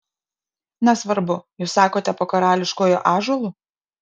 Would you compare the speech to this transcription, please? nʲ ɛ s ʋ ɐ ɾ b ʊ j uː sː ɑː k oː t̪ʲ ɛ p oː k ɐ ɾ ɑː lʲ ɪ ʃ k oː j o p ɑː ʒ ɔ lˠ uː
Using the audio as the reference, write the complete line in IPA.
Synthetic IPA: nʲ ɛ s ʋ ɐ ɾ b ʊ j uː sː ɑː k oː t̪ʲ ɛ p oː k ɐ ɾ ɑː lʲ ɪ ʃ k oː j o ʔ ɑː ʒ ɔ lˠ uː